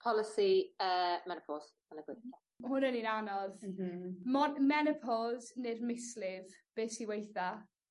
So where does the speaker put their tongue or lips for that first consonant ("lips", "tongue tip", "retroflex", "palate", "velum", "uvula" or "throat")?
lips